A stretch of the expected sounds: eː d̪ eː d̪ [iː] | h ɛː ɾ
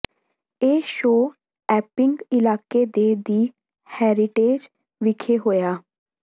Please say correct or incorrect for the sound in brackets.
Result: correct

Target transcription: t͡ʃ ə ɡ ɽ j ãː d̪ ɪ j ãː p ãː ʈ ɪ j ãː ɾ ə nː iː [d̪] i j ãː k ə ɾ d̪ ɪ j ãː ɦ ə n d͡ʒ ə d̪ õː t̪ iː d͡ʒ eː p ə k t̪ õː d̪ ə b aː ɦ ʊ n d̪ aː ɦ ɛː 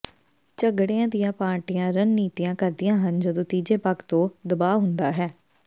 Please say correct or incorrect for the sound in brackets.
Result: incorrect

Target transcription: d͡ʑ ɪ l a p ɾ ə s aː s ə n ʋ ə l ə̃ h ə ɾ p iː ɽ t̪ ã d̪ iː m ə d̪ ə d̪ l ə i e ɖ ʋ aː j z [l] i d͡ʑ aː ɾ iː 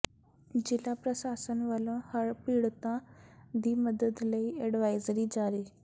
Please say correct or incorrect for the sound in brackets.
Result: incorrect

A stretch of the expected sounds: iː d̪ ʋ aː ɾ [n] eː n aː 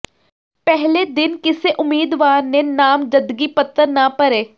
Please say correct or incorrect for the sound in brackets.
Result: correct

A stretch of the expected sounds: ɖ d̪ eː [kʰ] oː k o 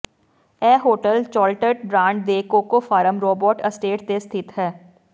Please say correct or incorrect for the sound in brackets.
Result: incorrect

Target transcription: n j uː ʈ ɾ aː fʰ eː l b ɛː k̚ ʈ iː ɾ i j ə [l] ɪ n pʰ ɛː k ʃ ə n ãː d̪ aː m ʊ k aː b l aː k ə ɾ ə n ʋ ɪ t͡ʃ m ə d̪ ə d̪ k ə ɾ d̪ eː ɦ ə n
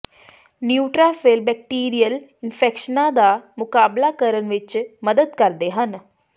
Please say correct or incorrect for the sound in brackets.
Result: correct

